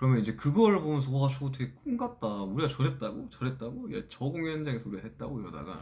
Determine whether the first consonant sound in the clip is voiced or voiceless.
voiceless